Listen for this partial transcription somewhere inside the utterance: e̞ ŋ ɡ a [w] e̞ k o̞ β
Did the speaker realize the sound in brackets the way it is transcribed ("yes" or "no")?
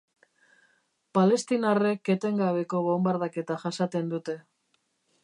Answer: no